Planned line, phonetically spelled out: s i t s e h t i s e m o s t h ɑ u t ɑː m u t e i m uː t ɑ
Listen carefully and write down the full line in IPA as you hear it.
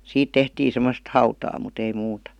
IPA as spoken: s iː t t e h t iː s e m o s t h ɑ u t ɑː m u t e i m uː t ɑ